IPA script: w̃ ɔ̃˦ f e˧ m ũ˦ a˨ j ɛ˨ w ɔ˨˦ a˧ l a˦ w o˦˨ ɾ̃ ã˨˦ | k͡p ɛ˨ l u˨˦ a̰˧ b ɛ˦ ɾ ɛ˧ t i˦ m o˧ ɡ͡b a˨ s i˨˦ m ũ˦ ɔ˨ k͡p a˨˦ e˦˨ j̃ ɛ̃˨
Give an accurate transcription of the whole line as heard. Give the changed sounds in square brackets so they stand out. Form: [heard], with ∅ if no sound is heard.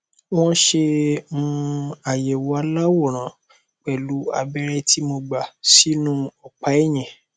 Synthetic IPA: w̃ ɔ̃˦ [ʃ] e˧ m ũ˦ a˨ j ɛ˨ w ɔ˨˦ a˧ l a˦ w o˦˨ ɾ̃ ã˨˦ | k͡p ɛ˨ l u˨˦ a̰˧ b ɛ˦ ɾ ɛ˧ t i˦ m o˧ ɡ͡b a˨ s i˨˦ [n] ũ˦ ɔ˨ k͡p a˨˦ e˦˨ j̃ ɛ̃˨